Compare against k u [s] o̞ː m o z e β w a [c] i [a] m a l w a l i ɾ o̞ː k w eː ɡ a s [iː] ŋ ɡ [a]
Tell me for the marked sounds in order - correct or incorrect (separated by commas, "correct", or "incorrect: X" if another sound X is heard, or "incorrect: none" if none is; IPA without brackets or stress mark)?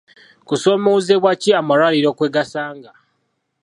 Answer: correct, correct, correct, incorrect: aː, correct